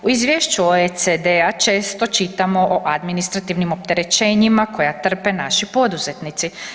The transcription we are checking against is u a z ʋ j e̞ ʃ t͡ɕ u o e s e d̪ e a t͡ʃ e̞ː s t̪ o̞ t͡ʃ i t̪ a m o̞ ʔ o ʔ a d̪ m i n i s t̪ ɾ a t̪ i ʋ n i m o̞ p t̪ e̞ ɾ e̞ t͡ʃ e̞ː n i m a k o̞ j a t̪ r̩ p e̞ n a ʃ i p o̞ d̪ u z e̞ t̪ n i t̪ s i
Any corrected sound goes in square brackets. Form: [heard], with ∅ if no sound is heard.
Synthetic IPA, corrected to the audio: u [i] z ʋ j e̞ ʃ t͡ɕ u o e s e d̪ e a t͡ʃ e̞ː s t̪ o̞ t͡ʃ i t̪ a m o̞ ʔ o ʔ a d̪ m i n i s t̪ ɾ a t̪ i ʋ n i m o̞ p t̪ e̞ ɾ e̞ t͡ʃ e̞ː [ɲ] i m a k o̞ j a t̪ r̩ p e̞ n a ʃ i p o̞ d̪ u z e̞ t̪ n i t̪ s i